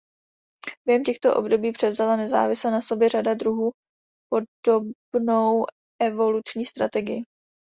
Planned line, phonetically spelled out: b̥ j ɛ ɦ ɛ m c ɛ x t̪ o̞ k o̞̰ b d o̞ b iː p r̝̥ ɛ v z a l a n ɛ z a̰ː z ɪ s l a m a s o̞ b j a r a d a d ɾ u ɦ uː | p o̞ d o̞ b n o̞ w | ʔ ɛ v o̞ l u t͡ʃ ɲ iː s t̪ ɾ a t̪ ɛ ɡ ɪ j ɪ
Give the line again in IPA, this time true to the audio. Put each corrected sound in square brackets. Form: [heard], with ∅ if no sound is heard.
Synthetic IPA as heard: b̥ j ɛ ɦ ɛ m c ɛ x t̪ o̞ [ʔ] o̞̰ b d o̞ b iː p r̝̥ ɛ v z a l a n ɛ z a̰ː [v] ɪ s l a [n] a s o̞ b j [ɛ] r a d a d ɾ u ɦ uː | p o̞ d o̞ b n o̞ w | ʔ ɛ v o̞ l u t͡ʃ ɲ iː s t̪ ɾ a t̪ ɛ ɡ ɪ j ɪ